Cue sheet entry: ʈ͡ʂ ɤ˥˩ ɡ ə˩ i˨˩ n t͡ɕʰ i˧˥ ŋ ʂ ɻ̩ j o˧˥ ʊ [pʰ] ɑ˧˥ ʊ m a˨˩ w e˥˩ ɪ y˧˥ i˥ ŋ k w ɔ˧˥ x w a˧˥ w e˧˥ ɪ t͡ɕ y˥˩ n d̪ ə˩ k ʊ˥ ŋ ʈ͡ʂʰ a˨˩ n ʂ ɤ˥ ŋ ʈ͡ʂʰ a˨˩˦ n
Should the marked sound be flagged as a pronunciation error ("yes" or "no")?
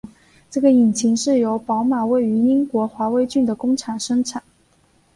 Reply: yes